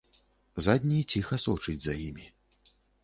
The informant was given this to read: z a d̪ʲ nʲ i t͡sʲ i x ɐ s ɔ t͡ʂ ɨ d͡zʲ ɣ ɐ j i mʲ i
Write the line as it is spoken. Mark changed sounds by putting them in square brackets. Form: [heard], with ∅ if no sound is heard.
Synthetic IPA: z a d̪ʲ nʲ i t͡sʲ i x ɐ s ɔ t͡ʂ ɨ d͡zʲ [z] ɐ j i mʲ i